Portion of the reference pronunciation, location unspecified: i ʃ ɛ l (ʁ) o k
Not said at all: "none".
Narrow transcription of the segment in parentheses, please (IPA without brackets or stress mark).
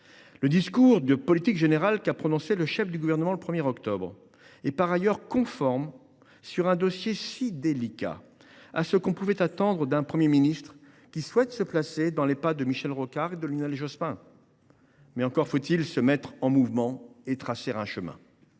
ʁ